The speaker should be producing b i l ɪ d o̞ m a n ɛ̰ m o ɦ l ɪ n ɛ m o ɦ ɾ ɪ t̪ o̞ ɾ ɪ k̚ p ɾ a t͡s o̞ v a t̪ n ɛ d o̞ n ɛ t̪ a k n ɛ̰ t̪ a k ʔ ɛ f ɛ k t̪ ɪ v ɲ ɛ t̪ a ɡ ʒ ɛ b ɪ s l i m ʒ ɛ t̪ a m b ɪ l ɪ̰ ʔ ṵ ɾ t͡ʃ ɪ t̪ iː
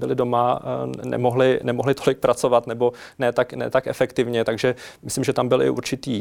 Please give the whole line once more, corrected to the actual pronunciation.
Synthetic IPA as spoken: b ɪ l ɪ d o̞ m a n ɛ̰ m o ɦ l ɪ n ɛ m o ɦ l ɪ t̪ o̞ l ɪ k̚ p ɾ a t͡s o̞ v a t̪ n ɛ b o̞ n ɛ t̪ a k n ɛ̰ t̪ a k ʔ ɛ f ɛ k t̪ ɪ v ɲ ɛ t̪ a ɡ ʒ ɛ m ɪ s l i m ʒ ɛ t̪ a m b ɪ l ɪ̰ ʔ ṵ ɾ t͡ʃ ɪ t̪ iː